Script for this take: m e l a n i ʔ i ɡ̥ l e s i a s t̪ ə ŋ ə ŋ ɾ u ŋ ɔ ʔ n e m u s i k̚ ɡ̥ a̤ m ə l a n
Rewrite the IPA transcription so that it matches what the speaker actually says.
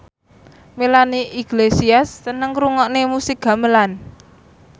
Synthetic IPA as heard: m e l a n i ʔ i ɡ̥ l e s i a s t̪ ə n ə ŋ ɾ u ŋ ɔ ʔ n e m u s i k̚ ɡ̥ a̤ m ə l a n